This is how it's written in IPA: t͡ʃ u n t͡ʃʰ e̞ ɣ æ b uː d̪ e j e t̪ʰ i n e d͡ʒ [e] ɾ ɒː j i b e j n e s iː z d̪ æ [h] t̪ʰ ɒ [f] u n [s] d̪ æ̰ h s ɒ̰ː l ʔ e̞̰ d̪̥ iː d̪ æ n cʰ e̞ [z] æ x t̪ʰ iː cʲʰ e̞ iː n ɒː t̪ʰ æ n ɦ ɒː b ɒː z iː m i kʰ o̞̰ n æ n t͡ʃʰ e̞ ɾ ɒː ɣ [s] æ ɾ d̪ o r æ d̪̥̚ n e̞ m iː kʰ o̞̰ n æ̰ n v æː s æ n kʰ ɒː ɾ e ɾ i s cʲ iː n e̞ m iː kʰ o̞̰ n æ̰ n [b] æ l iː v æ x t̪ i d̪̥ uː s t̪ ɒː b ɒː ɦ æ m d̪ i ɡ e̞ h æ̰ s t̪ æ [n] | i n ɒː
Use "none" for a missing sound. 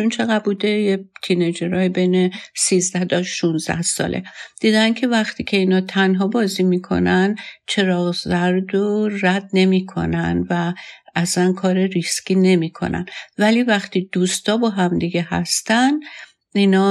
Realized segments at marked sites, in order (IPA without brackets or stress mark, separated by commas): e, h, ʃ, z, v, z, v, n